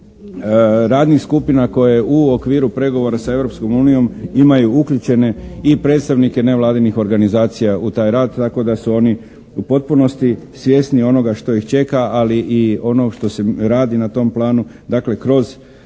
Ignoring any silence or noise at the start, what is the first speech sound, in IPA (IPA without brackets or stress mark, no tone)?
ɾ